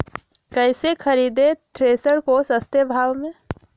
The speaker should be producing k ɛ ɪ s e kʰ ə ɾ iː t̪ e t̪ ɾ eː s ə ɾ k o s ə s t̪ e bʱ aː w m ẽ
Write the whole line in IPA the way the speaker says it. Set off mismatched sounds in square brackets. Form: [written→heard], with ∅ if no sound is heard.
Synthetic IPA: k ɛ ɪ s e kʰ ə ɾ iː [t̪→d̪] e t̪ ɾ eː s ə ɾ k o s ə s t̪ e bʱ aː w m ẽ